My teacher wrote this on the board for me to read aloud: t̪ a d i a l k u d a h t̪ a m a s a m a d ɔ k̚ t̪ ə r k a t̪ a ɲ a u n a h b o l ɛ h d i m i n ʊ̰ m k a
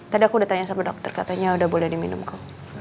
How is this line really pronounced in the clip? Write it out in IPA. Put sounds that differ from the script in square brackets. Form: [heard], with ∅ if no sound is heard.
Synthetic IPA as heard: t̪ a d i a [∅] k u d a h t̪ a [ɲ] a s a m a d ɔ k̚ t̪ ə r k a t̪ a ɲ a u [d] a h b o l ɛ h d i m i n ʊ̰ m k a